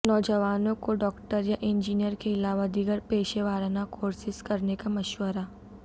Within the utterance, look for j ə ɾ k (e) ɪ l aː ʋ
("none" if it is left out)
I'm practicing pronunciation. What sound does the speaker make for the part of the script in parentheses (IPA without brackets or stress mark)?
e